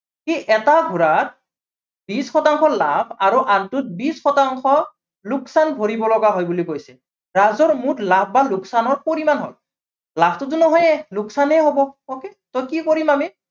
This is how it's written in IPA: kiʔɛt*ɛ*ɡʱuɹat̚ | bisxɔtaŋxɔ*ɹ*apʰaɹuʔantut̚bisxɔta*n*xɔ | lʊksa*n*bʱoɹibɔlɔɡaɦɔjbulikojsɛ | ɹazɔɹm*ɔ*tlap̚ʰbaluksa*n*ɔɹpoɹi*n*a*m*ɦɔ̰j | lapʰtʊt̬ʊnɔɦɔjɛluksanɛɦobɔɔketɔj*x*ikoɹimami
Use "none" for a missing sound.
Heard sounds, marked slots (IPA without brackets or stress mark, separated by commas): a, l, ŋ, n, u, n, m, n, k